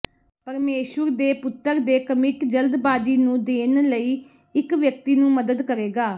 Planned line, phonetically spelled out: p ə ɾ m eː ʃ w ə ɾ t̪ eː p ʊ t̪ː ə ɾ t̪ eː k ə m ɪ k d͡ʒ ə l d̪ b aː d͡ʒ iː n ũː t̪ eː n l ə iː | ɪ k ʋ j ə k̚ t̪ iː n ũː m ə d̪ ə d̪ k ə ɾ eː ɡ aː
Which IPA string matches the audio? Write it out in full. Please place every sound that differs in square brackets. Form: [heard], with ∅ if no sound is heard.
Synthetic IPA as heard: p ə ɾ m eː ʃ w ə ɾ [d̪] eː p ʊ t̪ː ə ɾ [d̪] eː k ə m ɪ k d͡ʒ ə l d̪ b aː d͡ʒ iː n ũː [d̪] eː n l ə iː | ɪ k ʋ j ə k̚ t̪ iː n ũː m ə d̪ ə d̪ k ə ɾ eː ɡ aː